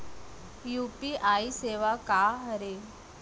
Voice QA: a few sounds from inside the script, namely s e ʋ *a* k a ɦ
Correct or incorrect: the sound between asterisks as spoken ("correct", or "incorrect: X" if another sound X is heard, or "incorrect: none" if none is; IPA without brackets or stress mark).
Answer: correct